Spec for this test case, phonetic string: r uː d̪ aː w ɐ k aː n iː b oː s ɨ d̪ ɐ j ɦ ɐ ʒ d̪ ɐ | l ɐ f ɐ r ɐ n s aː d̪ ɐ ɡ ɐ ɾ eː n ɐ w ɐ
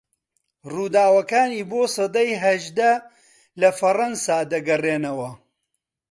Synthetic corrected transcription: r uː d̪ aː w ɐ k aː n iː b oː s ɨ d̪ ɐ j ɦ ɐ ʒ d̪ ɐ | l ɐ f ɐ r ɐ n s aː d̪ ɐ ɡ ɐ r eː n ɐ w ɐ